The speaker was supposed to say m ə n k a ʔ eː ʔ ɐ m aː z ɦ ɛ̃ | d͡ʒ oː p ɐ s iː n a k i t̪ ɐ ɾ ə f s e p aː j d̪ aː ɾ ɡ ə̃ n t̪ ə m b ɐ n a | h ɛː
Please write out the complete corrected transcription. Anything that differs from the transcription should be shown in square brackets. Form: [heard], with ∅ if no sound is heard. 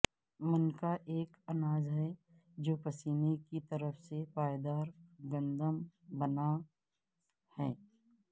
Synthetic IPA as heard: m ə n k a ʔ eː [k] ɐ [n] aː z ɦ [ɛ] | d͡ʒ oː p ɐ s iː n [e] k i t̪ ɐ ɾ ə f s e p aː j d̪ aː ɾ ɡ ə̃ n [d̪] ə m b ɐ n a | h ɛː